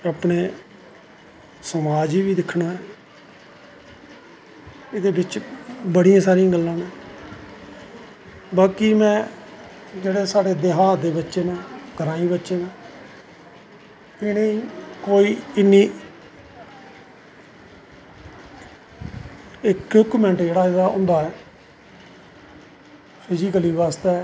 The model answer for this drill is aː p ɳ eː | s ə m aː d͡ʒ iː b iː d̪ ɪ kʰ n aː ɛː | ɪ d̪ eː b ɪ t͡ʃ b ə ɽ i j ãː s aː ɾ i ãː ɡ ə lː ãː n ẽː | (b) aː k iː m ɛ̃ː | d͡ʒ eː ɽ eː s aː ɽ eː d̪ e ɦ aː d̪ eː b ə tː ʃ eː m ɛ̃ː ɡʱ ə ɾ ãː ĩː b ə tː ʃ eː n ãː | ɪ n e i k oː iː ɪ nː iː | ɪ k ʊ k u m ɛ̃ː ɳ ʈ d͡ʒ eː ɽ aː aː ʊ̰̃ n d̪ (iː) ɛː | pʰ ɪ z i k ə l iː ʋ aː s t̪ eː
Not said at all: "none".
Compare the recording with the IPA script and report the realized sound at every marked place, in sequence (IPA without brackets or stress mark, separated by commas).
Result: b, aː